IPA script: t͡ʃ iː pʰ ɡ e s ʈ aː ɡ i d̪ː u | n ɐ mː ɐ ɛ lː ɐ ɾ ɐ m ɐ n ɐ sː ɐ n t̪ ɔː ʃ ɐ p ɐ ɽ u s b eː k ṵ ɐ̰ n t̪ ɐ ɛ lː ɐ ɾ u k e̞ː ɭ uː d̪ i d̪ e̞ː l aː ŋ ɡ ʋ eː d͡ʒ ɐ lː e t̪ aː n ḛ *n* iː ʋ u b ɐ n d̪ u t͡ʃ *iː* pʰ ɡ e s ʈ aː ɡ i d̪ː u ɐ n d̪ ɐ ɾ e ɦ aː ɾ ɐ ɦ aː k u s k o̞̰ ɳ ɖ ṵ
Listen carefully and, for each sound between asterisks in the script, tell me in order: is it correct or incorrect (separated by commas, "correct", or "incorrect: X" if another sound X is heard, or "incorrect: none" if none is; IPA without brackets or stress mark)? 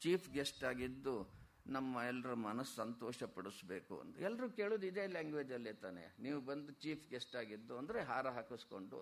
correct, correct